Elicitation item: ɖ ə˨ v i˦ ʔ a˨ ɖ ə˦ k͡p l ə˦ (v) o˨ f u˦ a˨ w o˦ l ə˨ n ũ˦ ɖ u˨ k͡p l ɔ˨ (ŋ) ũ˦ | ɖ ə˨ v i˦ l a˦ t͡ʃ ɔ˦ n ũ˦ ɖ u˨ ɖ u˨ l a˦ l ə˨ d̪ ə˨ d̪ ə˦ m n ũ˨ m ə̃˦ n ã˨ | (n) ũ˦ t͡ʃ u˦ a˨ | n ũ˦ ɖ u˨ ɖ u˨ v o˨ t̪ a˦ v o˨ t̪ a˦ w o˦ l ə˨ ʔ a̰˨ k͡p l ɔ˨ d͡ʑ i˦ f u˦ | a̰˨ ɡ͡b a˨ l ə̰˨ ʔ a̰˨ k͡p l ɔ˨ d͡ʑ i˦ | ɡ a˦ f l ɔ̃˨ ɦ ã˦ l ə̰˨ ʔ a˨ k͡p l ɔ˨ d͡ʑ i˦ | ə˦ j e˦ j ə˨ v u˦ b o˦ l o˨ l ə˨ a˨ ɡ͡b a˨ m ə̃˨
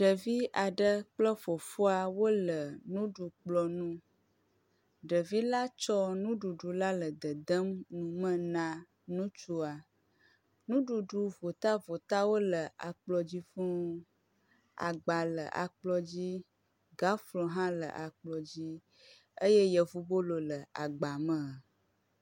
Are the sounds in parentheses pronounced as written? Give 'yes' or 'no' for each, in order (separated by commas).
no, no, yes